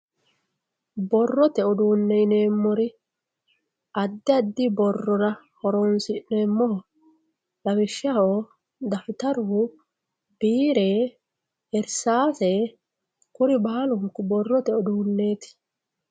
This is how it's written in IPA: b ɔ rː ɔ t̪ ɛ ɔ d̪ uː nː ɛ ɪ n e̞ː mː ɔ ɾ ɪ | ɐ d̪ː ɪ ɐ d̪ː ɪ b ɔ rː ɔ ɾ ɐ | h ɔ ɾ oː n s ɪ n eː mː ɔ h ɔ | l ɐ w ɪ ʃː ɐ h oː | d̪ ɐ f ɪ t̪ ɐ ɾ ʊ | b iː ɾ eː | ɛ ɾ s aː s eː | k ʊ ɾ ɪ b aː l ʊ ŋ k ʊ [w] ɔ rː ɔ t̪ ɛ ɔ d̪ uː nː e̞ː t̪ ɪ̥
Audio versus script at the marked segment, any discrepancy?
yes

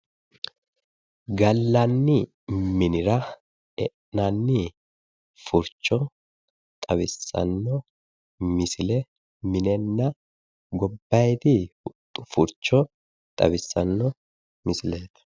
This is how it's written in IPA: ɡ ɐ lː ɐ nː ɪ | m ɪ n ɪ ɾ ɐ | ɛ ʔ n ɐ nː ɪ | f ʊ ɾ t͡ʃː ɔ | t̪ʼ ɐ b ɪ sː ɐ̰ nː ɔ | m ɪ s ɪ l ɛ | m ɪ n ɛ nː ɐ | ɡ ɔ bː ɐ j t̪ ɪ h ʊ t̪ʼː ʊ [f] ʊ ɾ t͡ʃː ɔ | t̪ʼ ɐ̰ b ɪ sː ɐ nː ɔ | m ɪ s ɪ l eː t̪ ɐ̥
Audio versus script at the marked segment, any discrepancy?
no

